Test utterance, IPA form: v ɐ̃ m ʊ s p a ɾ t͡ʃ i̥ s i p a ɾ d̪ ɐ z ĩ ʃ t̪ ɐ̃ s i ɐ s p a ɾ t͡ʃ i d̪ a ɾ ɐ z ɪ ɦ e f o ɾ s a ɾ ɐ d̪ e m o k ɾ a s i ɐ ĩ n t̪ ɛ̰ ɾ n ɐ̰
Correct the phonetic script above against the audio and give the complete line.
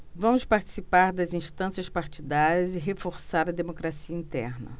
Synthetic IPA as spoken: v ɐ̃ m ʊ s p a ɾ t͡ʃ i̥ s i p a ɾ d̪ ɐ z ĩ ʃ t̪ ɐ̃ s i ɐ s p a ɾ t͡ʃ i d̪ a ɾ ɐ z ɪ ɦ e f o ɾ s a ɾ ɐ d̪ e m o k ɾ a s i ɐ ĩ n t̪ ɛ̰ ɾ n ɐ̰